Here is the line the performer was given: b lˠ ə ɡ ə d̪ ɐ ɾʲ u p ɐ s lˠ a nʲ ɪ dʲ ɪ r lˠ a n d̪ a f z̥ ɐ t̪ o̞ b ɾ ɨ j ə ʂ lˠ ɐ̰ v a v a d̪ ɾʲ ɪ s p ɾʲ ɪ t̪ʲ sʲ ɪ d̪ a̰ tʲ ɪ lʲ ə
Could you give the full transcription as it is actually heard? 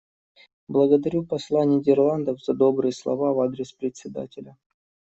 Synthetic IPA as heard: b lˠ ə ɡ ə d̪ ɐ ɾʲ u p ɐ s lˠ a nʲ ɪ dʲ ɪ r lˠ a n d̪ ə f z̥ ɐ d̪ o̞ b ɾ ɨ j ə s lˠ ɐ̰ v a v a d̪ ɾʲ ɪ s p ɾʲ ɪ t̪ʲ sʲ ɪ d̪ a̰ tʲ ɪ lʲ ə